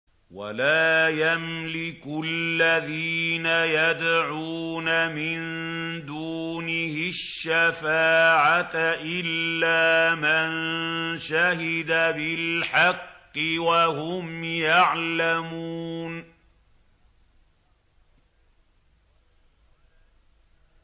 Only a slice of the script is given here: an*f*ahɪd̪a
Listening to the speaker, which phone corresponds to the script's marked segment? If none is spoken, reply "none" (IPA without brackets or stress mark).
ʃ